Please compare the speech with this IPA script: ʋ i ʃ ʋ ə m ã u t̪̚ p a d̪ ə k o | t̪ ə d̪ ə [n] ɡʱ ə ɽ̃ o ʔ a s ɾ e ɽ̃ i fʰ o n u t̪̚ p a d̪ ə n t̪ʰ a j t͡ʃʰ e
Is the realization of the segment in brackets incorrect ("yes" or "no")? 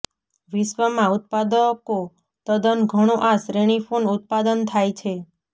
no